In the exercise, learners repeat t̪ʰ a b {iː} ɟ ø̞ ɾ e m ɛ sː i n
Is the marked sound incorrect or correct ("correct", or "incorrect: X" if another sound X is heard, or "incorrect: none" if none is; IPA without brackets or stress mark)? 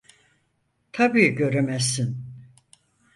correct